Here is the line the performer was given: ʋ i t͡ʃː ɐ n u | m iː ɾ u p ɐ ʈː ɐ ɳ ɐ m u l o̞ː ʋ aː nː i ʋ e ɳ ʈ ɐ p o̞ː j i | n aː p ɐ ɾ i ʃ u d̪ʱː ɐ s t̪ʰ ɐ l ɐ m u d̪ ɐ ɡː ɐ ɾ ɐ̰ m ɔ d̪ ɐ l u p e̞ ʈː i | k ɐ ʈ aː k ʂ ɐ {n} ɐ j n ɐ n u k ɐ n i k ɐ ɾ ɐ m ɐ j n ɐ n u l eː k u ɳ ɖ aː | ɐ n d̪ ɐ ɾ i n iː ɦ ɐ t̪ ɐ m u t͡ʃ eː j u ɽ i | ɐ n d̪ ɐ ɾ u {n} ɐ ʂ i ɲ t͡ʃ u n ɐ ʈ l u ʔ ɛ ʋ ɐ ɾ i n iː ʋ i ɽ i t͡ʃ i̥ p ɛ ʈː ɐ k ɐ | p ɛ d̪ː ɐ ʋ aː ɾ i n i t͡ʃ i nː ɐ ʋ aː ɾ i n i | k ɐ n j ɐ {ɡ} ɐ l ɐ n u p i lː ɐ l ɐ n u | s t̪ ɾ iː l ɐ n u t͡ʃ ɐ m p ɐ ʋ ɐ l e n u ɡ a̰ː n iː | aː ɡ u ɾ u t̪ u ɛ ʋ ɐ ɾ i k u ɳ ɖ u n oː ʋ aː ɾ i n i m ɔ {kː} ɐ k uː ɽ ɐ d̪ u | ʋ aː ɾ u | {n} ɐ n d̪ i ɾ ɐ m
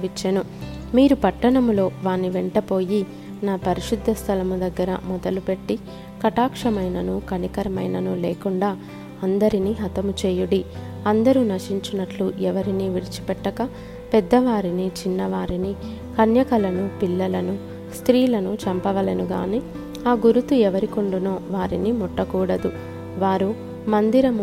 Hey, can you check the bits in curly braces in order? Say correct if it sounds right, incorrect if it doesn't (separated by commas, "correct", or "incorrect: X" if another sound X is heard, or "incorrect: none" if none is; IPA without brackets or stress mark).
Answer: incorrect: m, correct, incorrect: k, incorrect: ʈː, incorrect: m